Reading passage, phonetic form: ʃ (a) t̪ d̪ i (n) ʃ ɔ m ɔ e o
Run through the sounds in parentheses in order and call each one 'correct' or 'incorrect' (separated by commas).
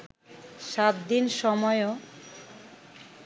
correct, correct